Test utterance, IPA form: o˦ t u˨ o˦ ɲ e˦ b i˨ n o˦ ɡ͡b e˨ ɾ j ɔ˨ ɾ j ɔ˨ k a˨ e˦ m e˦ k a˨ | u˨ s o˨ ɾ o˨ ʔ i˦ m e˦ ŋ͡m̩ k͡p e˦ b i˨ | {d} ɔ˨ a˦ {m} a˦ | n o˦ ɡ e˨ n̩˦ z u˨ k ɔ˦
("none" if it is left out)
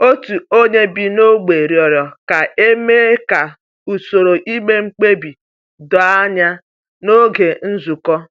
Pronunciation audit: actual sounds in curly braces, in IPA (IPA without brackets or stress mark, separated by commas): d, ɲ